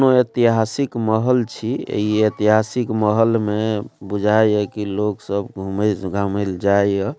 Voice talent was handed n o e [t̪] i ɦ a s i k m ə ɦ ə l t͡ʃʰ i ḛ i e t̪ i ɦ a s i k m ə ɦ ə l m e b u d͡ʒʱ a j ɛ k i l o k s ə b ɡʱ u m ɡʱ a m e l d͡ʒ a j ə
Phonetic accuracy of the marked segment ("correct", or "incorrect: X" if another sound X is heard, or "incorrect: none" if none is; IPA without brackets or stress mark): correct